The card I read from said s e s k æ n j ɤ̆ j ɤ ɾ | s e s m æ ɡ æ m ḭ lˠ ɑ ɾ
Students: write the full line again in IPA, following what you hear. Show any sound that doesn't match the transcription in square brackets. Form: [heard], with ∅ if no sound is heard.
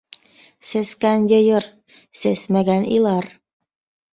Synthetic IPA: s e s k æ n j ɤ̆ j ɤ ɾ | s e s m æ ɡ æ [n] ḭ lˠ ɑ ɾ